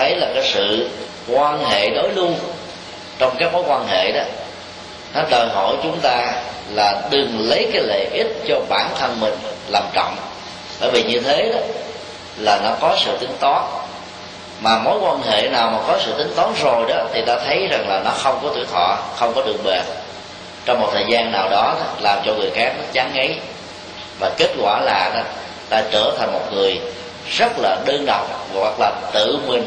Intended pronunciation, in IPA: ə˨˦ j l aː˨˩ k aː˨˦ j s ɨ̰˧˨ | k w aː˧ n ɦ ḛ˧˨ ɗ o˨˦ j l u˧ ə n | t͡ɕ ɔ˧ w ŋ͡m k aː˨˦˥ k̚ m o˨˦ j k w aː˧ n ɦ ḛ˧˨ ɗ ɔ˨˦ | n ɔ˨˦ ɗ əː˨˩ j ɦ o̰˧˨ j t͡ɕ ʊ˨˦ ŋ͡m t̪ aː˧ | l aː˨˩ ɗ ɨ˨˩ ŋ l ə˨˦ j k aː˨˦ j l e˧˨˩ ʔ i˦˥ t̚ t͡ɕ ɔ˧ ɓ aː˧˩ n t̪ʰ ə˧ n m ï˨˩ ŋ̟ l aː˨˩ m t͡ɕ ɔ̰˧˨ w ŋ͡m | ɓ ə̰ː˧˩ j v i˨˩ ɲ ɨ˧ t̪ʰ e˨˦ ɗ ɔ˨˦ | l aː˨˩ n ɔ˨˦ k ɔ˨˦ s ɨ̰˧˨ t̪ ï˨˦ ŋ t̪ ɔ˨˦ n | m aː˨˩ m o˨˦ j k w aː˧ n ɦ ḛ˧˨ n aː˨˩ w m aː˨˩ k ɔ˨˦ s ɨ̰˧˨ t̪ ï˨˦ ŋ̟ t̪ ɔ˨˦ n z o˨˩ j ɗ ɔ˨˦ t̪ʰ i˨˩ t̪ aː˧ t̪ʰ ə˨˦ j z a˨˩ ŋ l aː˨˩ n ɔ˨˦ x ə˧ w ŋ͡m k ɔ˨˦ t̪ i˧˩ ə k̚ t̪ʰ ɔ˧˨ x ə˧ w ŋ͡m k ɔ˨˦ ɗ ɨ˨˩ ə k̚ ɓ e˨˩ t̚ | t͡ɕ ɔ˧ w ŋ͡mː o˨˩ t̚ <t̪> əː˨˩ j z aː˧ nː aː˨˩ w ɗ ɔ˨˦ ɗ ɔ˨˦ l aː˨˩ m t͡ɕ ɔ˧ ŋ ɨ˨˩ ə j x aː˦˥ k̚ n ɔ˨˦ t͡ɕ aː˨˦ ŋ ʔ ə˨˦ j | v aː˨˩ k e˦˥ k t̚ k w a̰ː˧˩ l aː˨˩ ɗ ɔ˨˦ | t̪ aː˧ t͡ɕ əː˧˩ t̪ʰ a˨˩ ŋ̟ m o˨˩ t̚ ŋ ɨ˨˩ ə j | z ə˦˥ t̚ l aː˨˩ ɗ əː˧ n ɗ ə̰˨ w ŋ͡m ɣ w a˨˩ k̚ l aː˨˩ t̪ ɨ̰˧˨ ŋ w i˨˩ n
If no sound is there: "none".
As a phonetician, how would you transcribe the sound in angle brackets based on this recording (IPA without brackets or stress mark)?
t̪ʰ